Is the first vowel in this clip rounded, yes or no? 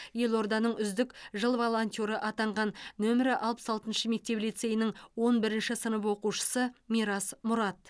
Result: no